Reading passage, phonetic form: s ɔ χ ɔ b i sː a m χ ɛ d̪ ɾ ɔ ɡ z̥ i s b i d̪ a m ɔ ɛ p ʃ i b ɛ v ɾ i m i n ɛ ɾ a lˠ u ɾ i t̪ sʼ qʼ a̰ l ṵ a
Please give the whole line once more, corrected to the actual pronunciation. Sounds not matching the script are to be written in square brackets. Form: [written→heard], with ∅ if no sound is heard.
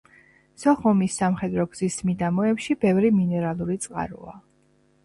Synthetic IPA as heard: s ɔ χ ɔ [b→m] i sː a m χ ɛ d̪ ɾ ɔ ɡ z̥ i s [b→m] i d̪ a m ɔ ɛ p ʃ i b ɛ v ɾ i m i n ɛ ɾ a lˠ u ɾ i t̪ sʼ qʼ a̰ [l→ɾ] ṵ a